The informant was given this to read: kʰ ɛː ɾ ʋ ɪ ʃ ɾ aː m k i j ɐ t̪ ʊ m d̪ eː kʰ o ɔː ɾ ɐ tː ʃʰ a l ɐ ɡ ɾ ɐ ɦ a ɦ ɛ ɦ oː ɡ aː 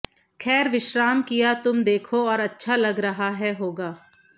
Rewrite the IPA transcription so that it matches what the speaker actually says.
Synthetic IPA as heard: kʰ ɛː ɾ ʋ ɪ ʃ ɾ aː m k i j a t̪ ʊ m d̪ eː kʰ o ɔː ɾ ɐ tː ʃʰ a l ɐ ɡ ɾ ɐ ɦ a ɦ ɛ ɦ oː ɡ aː